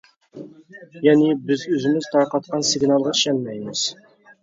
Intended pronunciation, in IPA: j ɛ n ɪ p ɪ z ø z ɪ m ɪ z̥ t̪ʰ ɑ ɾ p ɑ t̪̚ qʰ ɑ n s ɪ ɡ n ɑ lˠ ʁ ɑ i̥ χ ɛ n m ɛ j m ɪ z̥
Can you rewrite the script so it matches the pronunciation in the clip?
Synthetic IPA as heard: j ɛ n ɪ b ɪ z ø z ɪ m ɪ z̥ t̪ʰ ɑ ɾ q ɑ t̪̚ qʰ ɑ n s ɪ ɡ n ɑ lˠ ʁ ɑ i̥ ʃ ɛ n m ɛ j m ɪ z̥